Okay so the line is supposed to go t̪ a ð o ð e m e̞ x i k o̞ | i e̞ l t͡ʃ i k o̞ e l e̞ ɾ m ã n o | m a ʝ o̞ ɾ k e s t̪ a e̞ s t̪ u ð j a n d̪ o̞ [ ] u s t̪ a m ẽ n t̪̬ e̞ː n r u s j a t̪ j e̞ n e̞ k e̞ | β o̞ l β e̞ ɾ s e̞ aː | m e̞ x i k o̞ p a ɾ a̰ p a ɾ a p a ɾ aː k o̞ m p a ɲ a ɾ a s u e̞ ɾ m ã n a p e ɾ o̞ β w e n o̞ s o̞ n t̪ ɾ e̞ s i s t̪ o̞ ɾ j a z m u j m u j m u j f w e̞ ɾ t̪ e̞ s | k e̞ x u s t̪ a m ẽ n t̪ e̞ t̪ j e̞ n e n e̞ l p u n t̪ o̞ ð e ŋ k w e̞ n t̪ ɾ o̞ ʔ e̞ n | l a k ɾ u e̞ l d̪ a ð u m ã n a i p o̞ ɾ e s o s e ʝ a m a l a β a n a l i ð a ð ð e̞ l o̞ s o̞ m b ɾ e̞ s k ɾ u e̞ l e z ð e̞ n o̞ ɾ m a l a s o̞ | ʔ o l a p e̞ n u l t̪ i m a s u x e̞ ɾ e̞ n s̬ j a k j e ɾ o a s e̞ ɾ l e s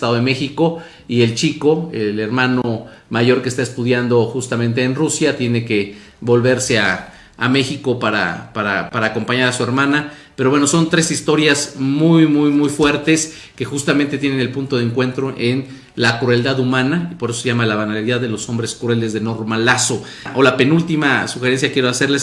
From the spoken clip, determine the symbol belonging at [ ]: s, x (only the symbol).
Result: x